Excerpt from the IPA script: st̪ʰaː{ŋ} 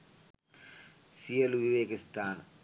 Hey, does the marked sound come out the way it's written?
no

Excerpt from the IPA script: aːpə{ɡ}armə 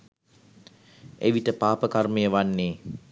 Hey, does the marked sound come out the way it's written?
no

